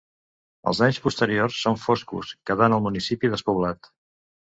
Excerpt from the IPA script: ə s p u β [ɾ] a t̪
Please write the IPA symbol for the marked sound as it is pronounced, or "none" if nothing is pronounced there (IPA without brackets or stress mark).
l